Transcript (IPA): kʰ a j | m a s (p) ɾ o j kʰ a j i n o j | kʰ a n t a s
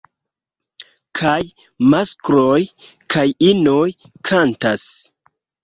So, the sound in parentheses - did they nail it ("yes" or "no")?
no